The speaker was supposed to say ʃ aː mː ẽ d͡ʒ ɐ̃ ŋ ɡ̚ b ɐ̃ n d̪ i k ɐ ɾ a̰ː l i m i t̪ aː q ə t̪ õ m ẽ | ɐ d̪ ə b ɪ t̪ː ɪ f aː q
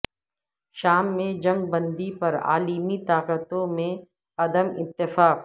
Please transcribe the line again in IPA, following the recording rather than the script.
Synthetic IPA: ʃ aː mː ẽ d͡ʒ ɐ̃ ŋ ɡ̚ b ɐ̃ n d̪ i p ɐ ɾ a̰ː l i m i t̪ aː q ə t̪ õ m ẽ | ɐ d̪ ə m ɪ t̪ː ɪ f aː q